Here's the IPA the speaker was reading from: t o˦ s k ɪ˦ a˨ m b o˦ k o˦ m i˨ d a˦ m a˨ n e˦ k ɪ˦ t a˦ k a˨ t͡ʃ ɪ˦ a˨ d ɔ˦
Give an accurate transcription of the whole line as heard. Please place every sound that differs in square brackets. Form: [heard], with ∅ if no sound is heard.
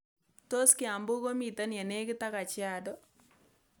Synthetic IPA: t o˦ s k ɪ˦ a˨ m b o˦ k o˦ m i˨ [t] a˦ [n] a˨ n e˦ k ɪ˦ t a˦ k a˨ t͡ʃ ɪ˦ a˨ d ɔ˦